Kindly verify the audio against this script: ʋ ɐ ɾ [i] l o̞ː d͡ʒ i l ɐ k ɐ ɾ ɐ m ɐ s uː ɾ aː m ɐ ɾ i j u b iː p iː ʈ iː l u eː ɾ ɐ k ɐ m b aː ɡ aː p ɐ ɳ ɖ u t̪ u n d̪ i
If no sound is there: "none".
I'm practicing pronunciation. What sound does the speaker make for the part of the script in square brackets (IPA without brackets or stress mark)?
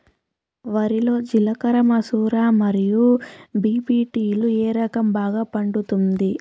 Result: i